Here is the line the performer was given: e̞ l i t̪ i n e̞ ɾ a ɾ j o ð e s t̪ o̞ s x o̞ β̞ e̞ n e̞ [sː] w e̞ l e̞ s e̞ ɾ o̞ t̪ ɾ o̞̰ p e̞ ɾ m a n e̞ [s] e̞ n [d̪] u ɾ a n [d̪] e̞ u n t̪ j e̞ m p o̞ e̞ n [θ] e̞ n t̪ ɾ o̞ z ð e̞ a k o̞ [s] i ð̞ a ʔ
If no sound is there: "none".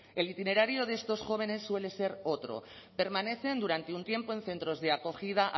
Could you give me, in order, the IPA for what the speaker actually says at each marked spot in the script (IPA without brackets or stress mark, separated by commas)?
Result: sː, θ, d̪, t̪, θ, x